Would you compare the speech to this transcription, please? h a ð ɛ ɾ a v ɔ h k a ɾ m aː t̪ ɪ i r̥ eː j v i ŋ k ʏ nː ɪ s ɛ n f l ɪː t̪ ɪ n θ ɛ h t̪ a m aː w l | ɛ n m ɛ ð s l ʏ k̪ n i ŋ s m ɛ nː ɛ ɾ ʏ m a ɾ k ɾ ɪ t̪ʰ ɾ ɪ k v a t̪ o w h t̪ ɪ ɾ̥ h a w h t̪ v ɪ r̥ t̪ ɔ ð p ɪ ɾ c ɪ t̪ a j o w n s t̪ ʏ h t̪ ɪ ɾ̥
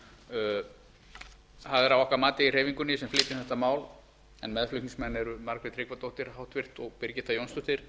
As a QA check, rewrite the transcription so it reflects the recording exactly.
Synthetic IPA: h a ð ɛ ɾ a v ɔ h k a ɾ m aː t̪ ɪ i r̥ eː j v i ŋ k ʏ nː ɪ s ɛ m f l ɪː t̪ ɪ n θ ɛ h t̪ a m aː w l | ɛ n m ɛ ð f l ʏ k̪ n i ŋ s m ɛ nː ɛ ɾ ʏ m a ɾ k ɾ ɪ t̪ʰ ɾ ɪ k v a t̪ o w h t̪ ɪ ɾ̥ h a w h t̪ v ɪ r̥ t̪ ɔ ɣ p ɪ ɾ c ɪ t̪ a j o w n s t̪ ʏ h t̪ ɪ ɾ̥